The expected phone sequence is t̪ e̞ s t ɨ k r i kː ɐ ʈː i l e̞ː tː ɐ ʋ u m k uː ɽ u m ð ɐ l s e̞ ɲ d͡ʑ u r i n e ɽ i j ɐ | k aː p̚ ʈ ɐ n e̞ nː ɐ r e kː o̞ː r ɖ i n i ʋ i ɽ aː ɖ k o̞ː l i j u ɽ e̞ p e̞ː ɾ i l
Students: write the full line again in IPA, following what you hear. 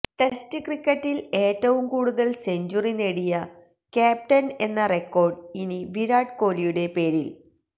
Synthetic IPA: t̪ e̞ s t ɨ k r i kː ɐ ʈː i l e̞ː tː ɐ ʋ u m k uː ɽ u ð ɐ l s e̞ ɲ d͡ʑ u r i n e ɽ i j ɐ | k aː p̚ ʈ ɐ n e̞ nː ɐ r e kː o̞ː r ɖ i n i ʋ i ɾ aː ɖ k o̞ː l i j u ɽ e̞ p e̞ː ɾ i l